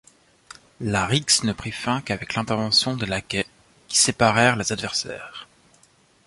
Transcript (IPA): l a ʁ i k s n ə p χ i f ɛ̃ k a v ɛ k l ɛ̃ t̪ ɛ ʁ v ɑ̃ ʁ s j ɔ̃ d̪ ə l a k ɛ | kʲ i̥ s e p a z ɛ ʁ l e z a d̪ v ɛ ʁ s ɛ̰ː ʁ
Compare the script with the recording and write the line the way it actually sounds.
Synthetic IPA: l a ʁ i k s n ə p χ i f ɛ̃ k a v ɛ k l ɛ̃ t̪ ɛ ʁ v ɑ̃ s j ɔ̃ d̪ ə l a k ɛ | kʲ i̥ s e p a ʁ ɛ ʁ l e z a d̪ v ɛ ʁ s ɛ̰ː ʁ